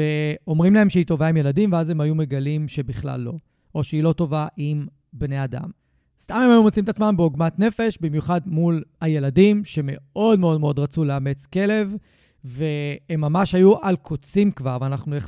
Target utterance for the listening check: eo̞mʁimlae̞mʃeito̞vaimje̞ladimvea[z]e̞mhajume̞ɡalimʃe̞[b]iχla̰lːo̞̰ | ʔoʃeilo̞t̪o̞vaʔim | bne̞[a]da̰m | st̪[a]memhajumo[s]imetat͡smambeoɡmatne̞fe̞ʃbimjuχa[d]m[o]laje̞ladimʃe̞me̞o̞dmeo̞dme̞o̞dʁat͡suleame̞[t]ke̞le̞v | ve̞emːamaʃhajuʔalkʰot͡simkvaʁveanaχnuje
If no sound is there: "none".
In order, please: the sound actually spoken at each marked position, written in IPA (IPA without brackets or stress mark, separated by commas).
z, b, a, a, t͡s, d, u, t͡s